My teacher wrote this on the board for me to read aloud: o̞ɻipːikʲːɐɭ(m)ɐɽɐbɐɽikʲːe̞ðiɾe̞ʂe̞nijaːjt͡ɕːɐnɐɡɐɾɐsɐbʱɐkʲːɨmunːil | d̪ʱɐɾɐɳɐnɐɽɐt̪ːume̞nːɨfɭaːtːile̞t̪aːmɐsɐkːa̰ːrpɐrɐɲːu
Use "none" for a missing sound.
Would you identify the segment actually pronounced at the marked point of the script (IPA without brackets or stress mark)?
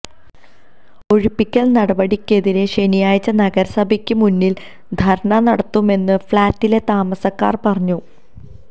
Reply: n